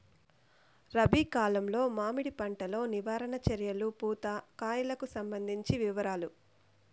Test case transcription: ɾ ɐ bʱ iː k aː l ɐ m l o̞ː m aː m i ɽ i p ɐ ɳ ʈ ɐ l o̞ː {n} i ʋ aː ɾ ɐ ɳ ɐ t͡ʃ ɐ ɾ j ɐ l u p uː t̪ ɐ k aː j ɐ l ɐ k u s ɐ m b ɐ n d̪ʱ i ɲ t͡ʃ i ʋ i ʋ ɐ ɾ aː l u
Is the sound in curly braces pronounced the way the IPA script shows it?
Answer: yes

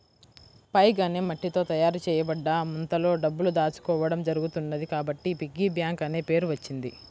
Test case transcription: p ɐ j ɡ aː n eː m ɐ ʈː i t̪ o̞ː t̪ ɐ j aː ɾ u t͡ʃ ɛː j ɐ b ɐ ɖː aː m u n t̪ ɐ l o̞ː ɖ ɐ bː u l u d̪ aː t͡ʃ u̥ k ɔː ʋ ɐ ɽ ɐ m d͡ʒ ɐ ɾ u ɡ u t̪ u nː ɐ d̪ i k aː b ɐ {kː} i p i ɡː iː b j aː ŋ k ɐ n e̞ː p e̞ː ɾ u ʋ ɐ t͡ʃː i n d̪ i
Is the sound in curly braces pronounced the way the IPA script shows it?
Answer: no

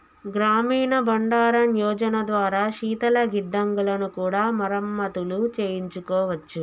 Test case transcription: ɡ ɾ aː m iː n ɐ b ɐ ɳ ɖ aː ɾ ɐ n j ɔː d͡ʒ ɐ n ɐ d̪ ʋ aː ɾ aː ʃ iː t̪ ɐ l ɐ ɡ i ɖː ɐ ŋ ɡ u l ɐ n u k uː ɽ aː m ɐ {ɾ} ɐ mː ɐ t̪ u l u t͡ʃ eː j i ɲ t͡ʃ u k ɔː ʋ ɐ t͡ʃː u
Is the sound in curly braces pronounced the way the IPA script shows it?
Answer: yes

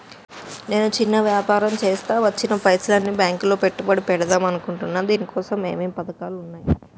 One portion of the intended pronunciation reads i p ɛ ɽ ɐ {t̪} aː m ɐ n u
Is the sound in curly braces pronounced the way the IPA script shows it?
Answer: no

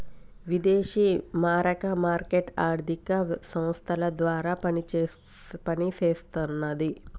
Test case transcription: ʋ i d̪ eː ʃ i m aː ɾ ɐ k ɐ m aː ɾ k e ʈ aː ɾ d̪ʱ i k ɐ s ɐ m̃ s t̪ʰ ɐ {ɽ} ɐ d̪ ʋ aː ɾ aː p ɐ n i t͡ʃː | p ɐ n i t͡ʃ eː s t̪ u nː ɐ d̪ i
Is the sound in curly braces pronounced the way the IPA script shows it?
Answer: no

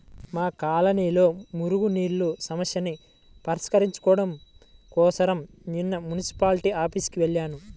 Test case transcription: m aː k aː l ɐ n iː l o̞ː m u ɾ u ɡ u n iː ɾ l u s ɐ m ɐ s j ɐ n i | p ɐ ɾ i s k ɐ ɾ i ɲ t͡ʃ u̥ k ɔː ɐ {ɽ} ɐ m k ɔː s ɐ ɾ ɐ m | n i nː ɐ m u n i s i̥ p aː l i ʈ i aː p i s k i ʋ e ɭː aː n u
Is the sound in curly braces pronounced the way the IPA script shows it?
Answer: yes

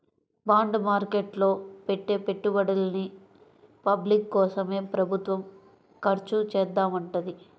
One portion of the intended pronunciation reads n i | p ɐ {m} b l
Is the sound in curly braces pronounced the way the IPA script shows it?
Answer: no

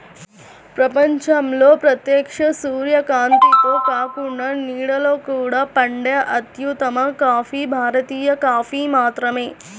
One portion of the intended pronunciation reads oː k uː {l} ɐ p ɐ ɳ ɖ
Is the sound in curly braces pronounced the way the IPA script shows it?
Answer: no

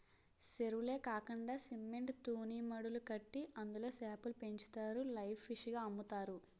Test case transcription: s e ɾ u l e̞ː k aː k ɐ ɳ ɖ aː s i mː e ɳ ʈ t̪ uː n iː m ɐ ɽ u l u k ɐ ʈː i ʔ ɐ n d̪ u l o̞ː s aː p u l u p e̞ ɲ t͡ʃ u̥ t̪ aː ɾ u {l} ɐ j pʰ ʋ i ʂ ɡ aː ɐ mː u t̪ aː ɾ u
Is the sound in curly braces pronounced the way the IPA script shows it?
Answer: yes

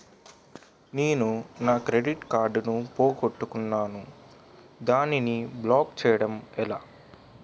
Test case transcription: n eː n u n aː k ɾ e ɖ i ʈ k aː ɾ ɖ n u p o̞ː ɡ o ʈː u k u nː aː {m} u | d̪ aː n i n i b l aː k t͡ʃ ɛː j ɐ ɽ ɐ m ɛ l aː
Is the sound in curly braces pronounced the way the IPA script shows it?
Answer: no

